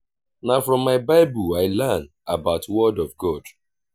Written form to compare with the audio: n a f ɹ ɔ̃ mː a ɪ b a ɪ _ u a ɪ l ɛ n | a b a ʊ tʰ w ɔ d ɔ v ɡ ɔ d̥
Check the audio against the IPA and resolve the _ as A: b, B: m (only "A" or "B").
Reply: A